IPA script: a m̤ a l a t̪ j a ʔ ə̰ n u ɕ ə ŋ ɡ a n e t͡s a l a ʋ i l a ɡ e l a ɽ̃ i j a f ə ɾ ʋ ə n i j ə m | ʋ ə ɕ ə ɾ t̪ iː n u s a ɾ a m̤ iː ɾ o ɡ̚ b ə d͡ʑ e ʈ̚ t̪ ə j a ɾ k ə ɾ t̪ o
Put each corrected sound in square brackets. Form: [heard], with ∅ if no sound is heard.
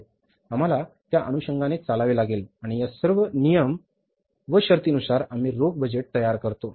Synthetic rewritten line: a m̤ a l a t̪ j a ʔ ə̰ n u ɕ ə ŋ ɡ a n e t͡s a l a ʋ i l a ɡ e l a ɽ̃ i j a [s] ə ɾ ʋ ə n i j ə m | ʋ ə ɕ ə ɾ t̪ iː n u s a ɾ a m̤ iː ɾ o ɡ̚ b ə d͡ʑ e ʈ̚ t̪ ə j a ɾ k ə ɾ t̪ o

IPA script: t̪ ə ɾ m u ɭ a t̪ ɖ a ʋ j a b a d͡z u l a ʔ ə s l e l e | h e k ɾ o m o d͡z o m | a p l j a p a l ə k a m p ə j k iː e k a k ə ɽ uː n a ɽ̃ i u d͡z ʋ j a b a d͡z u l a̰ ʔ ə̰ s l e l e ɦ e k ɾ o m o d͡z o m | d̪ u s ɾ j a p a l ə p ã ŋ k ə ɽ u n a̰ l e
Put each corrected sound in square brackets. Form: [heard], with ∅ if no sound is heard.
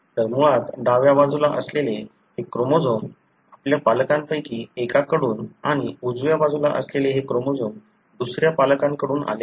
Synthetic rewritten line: t̪ ə ɾ m u ɭ a t̪ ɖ a ʋ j a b a d͡z u l a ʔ ə s l e l e | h e k ɾ o m o d͡z o m | a p l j a p a l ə k a m p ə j k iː e k a k ə ɽ uː n a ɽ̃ i u d͡z ʋ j a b a d͡z u l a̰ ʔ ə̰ s l e l e ɦ e k ɾ o m o d͡z o m | d̪ u s ɾ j a p a l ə [k] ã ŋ k ə ɽ [uː] n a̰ l e

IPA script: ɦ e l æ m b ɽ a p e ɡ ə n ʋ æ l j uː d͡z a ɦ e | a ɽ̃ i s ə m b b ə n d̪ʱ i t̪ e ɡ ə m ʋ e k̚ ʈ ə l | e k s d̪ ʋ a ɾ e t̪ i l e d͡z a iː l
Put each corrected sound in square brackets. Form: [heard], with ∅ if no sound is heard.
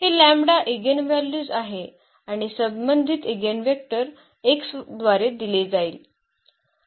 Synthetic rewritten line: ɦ e l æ m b ɽ a [ʔ] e ɡ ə n ʋ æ l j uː d͡z a ɦ e | a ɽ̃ i s ə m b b ə n d̪ʱ i t̪ e ɡ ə [n] ʋ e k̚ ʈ ə [ɾ] | e k s d̪ ʋ a ɾ e [d̪] i l e d͡z a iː l

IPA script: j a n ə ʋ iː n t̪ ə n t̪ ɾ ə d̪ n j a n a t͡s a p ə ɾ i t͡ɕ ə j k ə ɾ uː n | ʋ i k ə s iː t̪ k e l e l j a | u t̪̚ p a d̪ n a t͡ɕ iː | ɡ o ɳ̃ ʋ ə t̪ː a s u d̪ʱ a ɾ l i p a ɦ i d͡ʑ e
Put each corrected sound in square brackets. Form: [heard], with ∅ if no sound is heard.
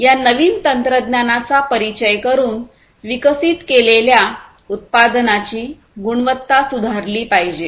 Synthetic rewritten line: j a n ə ʋ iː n t̪ ə n t̪ ɾ ə d̪ n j a n a t͡s a p ə ɾ i t͡ɕ ə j k ə ɾ uː n | ʋ i k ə s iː t̪ k e l e l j a | u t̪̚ p a d̪ n a t͡ɕ iː | ɡ [u] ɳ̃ ʋ ə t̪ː a s u d̪ʱ a ɾ l [iː] p a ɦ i d͡ʑ e

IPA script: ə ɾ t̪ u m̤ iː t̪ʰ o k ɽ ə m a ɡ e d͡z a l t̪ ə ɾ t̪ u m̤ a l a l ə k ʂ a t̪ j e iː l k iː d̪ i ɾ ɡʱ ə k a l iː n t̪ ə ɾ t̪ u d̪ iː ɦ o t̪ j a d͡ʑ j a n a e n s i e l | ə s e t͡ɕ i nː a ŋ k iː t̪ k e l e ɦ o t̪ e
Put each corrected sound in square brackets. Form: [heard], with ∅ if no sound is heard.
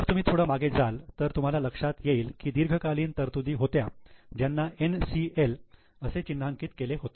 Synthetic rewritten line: ə ɾ t̪ u m̤ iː t̪ʰ o [∅] ɽ ə m a ɡ e d͡z a l t̪ ə ɾ t̪ u m̤ a l a l ə k ʂ a t̪ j e iː l k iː d̪ i ɾ ɡʱ ə k a l iː n t̪ ə ɾ t̪ u d̪ iː ɦ o t̪ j a d͡ʑ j a [nː] a e n s i e l | ə s e t͡ɕ i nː a ŋ k iː t̪ k e l e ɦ o t̪ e

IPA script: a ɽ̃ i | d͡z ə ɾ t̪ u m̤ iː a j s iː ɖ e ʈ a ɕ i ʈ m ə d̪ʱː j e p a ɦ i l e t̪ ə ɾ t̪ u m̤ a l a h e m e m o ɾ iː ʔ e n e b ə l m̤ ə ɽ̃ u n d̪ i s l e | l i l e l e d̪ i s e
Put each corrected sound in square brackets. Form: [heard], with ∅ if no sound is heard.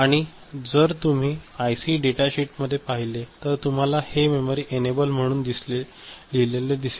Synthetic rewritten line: a ɽ̃ i | d͡z ə ɾ t̪ u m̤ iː a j s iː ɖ e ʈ a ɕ i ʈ m ə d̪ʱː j e p a ɦ i l e t̪ ə ɾ t̪ u m̤ a l a h e m e m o ɾ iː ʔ e n e b ə l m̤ ə ɽ̃ [uː] n d̪ i s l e | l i l e l e d̪ i s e

